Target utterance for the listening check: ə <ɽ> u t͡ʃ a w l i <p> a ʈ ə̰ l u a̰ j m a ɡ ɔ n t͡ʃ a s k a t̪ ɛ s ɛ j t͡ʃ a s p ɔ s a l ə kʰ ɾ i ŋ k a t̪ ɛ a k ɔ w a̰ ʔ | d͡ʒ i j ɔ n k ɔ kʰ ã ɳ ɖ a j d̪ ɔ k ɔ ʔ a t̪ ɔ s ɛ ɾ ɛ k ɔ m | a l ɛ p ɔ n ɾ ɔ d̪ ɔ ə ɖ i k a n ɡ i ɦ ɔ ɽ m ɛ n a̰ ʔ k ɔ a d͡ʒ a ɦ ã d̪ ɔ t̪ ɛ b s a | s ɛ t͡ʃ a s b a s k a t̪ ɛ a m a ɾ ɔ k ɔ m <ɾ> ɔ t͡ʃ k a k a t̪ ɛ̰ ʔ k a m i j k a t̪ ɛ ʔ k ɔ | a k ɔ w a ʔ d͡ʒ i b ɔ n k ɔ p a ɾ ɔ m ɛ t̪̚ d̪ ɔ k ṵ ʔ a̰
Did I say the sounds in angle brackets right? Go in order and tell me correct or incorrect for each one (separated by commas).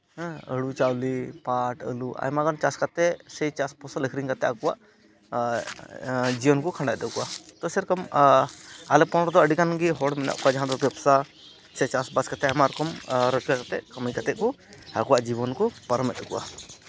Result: correct, correct, correct